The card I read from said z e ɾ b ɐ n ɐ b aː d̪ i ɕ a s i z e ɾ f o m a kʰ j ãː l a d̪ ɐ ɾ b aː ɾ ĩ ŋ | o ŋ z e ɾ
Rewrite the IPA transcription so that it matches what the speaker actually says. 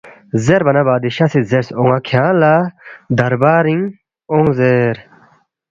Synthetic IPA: z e ɾ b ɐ n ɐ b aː d̪ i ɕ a s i z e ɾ s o ŋ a kʰ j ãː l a d̪ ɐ ɾ b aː ɾ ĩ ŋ | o ŋ z e ɾ